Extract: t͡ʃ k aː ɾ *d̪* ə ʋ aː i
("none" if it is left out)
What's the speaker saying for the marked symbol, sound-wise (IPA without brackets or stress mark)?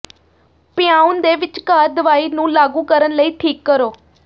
d̪